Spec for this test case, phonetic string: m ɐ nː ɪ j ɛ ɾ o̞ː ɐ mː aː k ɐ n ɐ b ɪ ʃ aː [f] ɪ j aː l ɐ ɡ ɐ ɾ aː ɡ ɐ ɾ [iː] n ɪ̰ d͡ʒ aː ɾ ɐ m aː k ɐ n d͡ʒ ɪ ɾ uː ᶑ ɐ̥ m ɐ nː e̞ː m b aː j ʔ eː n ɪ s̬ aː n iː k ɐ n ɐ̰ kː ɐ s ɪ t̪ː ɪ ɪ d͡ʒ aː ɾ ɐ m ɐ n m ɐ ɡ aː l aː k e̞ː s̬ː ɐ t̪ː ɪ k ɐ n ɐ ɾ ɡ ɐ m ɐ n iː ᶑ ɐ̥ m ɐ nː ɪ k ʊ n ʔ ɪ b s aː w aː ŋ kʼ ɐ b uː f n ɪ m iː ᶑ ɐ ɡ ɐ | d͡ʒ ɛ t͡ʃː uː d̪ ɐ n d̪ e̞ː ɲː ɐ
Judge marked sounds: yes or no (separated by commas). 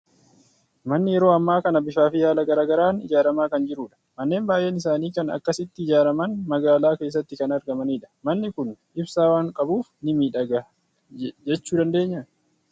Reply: yes, no